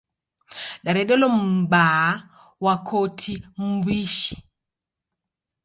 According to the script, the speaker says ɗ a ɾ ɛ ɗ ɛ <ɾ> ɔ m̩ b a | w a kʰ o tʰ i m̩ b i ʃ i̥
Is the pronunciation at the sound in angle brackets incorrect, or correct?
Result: incorrect